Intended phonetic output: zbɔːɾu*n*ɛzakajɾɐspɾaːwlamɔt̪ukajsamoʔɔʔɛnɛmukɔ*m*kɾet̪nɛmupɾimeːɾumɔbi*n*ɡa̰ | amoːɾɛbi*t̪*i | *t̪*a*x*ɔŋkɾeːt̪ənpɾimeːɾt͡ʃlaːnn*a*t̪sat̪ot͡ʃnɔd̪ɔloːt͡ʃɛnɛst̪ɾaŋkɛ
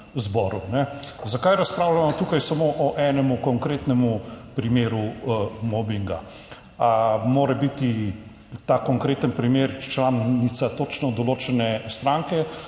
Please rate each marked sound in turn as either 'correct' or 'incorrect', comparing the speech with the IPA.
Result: correct, incorrect, incorrect, correct, correct, incorrect, incorrect

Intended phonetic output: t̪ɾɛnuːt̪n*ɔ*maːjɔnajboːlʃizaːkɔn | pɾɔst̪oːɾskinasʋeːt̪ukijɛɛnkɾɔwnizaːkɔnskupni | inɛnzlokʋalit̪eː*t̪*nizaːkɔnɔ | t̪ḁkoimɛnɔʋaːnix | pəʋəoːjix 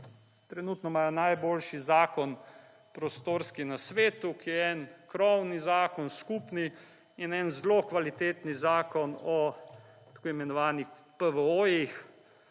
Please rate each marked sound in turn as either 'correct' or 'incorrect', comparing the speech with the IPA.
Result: correct, correct

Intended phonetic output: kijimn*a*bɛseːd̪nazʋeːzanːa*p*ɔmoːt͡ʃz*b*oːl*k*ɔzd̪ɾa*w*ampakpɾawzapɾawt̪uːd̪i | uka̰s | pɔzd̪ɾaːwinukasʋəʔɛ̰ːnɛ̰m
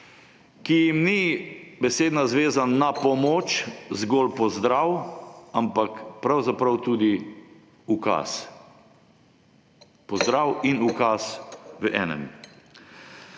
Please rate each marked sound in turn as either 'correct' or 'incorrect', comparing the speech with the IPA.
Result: incorrect, correct, incorrect, incorrect, correct

